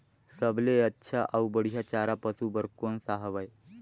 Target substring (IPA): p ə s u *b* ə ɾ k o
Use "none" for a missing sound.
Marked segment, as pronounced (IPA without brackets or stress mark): b